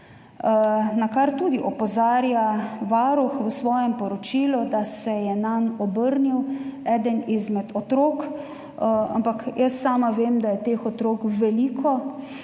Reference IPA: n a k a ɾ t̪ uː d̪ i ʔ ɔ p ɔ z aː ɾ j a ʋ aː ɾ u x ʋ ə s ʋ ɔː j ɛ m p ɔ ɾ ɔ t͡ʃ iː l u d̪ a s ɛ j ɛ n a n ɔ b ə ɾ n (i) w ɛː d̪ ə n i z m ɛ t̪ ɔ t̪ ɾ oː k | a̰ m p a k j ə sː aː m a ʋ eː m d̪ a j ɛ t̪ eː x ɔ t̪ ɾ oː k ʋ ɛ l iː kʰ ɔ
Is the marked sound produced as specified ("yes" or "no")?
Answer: yes